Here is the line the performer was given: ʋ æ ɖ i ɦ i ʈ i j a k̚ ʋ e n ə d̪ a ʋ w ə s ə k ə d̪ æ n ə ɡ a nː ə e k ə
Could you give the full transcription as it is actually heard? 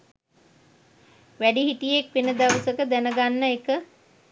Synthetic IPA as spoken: ʋ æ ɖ i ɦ i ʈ i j e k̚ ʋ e n ə d̪ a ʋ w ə s ə k ə d̪ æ n ə ɡ a nː ə e k ə